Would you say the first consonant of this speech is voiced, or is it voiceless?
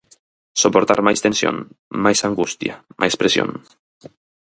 voiceless